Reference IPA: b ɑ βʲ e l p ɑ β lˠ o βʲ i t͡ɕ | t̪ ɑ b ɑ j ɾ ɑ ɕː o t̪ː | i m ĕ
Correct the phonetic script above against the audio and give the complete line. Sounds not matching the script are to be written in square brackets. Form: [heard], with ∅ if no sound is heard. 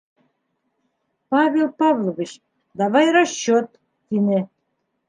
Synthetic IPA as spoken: [p] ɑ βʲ e l p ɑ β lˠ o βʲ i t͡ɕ | [d̪] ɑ [β] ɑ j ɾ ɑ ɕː o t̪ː | i [n] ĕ